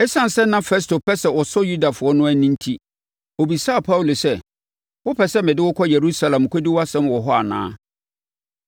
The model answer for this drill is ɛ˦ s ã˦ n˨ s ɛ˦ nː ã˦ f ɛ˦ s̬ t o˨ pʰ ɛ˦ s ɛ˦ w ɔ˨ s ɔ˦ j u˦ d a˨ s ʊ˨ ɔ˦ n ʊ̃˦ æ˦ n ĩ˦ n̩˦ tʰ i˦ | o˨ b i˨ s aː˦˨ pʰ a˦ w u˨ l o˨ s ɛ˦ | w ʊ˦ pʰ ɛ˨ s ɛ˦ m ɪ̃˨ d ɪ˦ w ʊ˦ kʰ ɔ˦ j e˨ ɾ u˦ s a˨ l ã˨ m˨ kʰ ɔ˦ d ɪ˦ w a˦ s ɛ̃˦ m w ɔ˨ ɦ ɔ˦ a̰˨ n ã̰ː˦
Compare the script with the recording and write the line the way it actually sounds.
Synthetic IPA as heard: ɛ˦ s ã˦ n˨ s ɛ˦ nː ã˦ f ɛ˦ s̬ t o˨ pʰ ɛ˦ s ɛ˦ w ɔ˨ s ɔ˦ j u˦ d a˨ f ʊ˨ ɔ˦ n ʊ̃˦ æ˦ n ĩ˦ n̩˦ tʰ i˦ | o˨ b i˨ s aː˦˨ pʰ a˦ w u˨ l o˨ s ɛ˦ | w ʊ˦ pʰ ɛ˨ s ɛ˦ m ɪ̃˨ d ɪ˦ w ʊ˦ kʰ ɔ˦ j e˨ ɾ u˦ s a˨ l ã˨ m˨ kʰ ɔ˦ d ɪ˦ w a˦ s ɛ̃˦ m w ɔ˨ ɦ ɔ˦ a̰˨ n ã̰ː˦